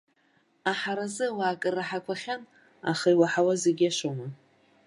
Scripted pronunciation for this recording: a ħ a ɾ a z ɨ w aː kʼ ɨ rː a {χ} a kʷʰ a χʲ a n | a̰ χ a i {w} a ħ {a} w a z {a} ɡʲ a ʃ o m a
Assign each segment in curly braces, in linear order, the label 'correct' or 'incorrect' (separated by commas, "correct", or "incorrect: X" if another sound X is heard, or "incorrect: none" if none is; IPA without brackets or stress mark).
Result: incorrect: ħ, correct, correct, incorrect: e